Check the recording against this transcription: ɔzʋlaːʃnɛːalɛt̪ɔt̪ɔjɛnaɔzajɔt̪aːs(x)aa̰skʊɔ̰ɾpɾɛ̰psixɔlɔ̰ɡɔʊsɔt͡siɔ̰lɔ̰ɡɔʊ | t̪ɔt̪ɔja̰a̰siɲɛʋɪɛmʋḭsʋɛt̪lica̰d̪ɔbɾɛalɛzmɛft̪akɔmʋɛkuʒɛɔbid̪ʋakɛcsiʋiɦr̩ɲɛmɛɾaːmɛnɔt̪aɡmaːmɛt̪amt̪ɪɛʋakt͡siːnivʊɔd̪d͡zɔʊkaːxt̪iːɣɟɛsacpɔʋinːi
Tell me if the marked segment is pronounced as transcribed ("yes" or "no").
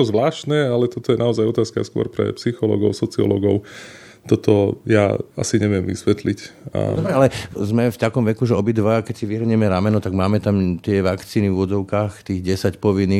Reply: no